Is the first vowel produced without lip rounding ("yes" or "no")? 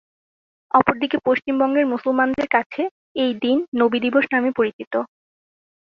no